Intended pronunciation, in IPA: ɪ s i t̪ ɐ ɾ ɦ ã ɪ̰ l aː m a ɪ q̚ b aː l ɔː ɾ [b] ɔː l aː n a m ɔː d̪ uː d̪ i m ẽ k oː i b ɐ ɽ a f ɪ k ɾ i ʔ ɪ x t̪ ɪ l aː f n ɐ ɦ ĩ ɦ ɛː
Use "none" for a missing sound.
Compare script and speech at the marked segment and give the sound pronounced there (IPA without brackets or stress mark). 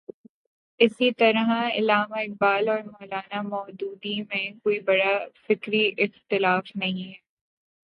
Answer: m